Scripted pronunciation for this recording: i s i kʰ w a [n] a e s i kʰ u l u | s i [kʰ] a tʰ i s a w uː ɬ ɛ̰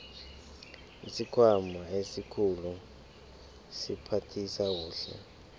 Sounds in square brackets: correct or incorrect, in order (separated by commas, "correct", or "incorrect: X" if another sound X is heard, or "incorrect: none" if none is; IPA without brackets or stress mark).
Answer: incorrect: m, incorrect: pʰ